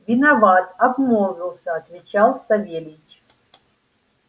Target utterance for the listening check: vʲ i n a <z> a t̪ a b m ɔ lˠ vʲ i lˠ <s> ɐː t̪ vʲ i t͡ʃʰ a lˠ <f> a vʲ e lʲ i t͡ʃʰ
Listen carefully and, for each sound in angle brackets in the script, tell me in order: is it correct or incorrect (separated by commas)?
incorrect, correct, incorrect